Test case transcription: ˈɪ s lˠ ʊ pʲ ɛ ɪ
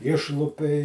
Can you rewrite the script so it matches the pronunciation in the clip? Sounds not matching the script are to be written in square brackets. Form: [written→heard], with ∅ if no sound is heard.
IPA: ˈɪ [s→ʃ] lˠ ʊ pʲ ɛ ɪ